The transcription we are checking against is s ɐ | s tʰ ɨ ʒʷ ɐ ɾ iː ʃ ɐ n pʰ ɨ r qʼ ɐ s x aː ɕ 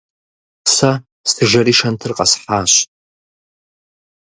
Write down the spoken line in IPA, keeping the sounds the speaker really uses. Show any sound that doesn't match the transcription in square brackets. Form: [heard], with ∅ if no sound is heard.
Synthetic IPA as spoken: s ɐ | s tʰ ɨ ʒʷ ɐ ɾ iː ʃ ɐ n [tʰ] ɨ r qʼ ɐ s [ħ] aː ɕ

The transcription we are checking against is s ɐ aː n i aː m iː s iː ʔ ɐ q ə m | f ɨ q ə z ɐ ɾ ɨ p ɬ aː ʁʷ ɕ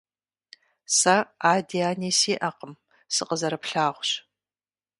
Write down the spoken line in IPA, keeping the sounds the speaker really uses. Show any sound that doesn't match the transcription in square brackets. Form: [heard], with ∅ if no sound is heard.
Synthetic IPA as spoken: s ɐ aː [d] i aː [n] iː s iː ʔ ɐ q ə m | [s] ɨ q ə z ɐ ɾ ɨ p ɬ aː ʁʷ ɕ

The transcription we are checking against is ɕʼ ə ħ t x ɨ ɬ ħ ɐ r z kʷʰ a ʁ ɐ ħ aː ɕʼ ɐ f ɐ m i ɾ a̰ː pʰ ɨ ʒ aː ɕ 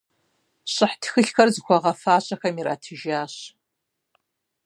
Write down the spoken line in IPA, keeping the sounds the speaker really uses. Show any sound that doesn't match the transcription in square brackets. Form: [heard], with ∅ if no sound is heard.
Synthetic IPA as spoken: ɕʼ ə ħ t x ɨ ɬ [x] ɐ r z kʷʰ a ʁ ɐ [f] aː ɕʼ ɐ [x] ɐ m i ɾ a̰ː [tʰ] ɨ ʒ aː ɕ

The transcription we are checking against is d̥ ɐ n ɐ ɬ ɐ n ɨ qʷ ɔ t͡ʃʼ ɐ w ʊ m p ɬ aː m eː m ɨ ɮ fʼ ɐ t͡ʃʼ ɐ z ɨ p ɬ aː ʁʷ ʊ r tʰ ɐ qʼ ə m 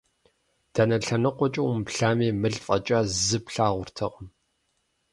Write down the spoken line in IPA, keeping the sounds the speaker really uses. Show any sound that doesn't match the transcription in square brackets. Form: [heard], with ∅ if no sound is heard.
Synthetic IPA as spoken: d̥ ɐ n ɐ ɬ ɐ n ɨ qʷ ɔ t͡ʃʼ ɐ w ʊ m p ɬ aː m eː m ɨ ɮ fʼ ɐ t͡ʃʼ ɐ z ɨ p ɬ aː ʁʷ ʊ r tʰ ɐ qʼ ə m

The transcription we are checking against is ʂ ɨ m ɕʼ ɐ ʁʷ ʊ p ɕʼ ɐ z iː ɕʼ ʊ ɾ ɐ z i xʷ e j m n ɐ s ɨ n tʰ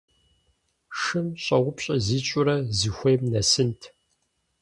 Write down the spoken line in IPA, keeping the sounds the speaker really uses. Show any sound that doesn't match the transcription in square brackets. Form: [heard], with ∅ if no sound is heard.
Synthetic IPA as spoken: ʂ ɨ m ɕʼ ɐ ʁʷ ʊ p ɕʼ ɐ z iː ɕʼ ʊ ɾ ɐ z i xʷ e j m n ɐ s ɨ n tʰ

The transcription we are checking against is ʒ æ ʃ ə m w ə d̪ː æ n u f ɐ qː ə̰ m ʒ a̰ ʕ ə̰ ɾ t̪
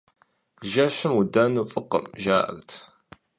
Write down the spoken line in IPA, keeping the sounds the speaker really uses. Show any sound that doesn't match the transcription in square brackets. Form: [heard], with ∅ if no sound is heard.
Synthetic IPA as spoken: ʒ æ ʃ ə m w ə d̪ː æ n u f [ə] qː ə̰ m ʒ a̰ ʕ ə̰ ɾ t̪

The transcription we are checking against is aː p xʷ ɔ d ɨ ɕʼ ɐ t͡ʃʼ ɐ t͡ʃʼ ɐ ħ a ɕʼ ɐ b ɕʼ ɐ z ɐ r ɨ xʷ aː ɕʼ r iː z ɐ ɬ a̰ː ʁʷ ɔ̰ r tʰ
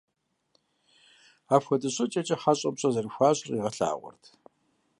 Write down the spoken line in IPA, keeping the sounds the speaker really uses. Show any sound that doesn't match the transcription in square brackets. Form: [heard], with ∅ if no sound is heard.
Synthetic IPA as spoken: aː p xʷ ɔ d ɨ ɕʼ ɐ t͡ʃʼ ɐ t͡ʃʼ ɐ ħ a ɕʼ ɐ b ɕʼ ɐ z ɐ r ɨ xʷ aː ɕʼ r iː [ʁ] ɐ ɬ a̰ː ʁʷ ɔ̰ r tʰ

